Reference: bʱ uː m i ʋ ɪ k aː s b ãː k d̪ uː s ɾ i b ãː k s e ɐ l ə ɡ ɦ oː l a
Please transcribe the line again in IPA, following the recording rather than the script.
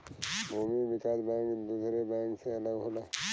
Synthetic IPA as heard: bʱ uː m i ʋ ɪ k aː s b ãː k d̪ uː s ɾ e b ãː k s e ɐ l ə ɡ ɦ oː l a